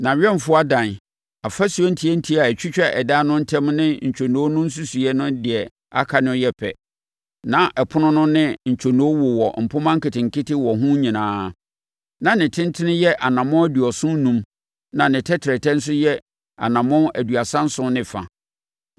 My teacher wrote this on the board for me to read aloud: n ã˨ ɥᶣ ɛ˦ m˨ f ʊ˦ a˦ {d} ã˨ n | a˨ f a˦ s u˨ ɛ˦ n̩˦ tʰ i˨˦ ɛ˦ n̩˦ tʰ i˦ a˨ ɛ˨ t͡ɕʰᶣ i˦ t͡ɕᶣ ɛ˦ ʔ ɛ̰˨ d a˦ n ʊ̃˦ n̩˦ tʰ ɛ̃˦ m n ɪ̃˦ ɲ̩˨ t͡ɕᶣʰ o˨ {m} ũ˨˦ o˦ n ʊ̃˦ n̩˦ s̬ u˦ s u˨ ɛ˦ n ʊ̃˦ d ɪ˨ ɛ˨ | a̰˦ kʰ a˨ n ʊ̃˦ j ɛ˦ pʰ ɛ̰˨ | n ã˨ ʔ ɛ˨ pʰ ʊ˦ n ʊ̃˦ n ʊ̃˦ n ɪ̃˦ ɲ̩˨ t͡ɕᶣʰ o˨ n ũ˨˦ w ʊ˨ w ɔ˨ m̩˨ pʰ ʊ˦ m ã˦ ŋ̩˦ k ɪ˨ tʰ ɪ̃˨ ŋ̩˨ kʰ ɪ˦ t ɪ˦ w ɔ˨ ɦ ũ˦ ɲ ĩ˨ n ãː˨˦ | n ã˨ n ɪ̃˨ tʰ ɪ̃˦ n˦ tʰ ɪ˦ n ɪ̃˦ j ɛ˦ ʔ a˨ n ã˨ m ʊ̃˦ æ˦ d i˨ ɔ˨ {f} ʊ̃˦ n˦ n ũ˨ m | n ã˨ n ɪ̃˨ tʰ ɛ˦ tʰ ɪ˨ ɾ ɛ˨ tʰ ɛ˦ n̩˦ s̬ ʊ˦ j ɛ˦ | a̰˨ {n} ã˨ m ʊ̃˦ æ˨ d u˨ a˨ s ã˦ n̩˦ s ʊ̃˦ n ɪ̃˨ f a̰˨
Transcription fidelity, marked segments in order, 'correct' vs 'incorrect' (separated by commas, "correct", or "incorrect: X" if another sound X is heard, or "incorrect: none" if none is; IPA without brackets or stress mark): correct, incorrect: n, incorrect: s, correct